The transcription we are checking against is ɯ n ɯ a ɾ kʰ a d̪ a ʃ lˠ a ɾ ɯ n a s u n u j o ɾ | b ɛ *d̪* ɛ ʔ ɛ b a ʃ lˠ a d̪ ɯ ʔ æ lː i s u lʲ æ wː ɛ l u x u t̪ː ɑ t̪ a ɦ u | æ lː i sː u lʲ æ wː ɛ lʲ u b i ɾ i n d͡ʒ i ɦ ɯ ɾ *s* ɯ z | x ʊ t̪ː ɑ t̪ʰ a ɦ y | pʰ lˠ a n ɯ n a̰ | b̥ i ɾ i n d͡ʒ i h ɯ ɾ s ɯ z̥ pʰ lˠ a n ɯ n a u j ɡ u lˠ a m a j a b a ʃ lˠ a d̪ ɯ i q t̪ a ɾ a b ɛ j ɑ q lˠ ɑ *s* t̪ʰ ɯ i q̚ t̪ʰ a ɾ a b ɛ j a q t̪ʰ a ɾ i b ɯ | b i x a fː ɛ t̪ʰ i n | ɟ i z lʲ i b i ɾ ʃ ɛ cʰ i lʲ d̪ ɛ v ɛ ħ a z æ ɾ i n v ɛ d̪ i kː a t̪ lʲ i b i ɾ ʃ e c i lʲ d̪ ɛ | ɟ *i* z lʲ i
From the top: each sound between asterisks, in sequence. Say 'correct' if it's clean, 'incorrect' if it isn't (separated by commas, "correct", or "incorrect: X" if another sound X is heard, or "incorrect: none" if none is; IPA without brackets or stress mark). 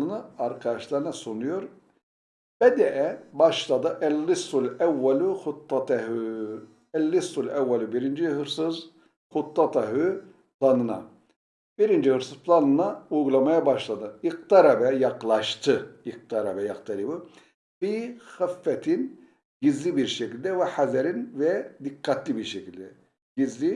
correct, correct, incorrect: ʃ, correct